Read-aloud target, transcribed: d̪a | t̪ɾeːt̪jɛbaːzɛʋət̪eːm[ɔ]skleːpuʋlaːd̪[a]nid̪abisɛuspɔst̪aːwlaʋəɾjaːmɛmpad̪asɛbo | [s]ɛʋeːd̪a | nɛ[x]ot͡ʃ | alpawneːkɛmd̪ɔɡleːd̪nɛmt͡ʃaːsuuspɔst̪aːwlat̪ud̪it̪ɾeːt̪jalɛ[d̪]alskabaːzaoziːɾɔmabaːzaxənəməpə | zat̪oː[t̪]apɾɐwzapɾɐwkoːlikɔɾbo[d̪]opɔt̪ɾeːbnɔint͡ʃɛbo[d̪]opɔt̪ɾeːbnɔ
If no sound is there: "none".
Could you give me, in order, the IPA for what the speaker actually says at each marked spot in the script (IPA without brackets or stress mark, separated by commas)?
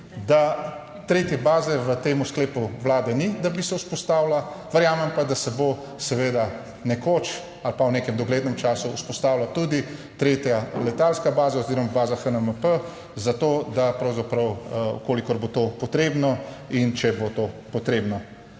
u, ɛ, s, k, t̪, d̪, t̪, t̪